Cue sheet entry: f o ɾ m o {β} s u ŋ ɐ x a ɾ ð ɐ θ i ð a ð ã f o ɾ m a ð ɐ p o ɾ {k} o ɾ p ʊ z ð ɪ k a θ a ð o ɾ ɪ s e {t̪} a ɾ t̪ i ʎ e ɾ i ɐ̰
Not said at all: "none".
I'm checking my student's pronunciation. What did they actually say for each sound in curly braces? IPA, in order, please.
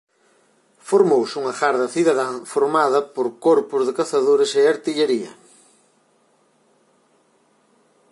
w, k, none

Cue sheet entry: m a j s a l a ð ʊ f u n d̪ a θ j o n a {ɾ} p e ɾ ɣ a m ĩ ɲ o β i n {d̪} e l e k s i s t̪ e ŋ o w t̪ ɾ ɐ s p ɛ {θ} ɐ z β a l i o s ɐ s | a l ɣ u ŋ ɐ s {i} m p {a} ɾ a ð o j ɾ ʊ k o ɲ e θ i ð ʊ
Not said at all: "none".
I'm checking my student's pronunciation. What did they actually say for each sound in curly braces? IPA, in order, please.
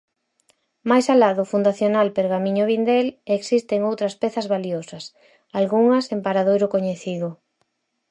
l, d̪, θ, e, a

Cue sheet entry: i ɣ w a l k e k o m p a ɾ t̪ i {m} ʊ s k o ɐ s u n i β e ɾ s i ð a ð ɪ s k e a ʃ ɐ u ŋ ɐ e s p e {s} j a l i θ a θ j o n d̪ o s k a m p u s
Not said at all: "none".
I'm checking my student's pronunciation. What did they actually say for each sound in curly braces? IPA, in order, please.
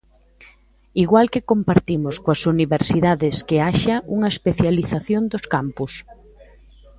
m, θ

